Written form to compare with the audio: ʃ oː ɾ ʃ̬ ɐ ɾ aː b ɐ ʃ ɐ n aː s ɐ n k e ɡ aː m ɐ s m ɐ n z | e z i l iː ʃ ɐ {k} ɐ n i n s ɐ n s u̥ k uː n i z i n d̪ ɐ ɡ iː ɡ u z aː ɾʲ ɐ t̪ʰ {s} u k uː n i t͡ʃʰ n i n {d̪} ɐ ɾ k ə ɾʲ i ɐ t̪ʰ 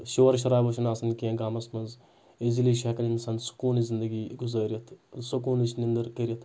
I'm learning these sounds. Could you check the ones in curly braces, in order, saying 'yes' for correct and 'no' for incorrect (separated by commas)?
yes, yes, yes